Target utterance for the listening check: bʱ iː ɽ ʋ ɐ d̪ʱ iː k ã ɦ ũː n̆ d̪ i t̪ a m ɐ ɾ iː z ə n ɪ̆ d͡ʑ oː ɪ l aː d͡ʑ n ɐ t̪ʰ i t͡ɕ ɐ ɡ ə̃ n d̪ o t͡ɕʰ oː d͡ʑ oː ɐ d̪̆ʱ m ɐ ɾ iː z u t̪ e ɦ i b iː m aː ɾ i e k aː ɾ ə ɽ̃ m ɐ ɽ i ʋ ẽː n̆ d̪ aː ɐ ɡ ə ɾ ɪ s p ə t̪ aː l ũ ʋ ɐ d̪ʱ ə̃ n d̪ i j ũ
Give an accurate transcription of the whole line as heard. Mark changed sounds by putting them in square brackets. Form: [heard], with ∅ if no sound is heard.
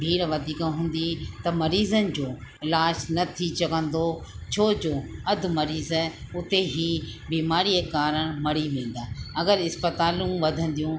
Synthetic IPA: bʱ iː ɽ ʋ ɐ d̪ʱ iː k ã ɦ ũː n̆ d̪ i t̪ [ɐ] m ɐ ɾ iː z ə n ɪ̆ d͡ʑ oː ɪ l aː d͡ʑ n ɐ t̪ʰ i t͡ɕ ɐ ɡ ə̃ n d̪ o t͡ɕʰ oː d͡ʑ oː ɐ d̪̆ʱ m ɐ ɾ iː z [ʊ] t̪ e ɦ i b iː m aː ɾ i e k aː ɾ ə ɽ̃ m ɐ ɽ i ʋ ẽː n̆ d̪ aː ɐ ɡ ə ɾ ɪ s p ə t̪ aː l ũ ʋ ɐ d̪ʱ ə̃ n d̪ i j ũ